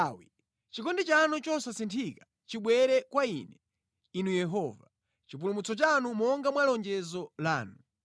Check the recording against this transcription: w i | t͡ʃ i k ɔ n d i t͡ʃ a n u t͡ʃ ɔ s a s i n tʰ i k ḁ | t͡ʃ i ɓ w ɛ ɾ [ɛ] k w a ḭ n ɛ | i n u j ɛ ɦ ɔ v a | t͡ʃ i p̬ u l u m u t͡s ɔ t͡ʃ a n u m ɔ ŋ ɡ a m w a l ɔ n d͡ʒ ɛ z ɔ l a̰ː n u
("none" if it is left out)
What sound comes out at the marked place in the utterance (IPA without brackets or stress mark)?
ɛ